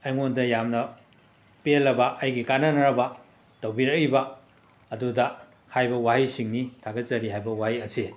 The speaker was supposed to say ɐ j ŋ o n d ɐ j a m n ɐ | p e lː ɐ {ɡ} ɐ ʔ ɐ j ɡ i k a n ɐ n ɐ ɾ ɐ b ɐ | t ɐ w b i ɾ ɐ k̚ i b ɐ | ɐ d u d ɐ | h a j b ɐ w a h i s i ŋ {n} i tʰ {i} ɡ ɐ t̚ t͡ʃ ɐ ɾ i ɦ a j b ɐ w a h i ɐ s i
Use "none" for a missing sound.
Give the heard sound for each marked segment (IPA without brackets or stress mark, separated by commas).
b, n, a